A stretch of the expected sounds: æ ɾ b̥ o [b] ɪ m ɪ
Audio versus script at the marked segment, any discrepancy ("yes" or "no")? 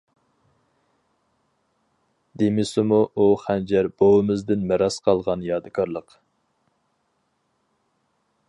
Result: yes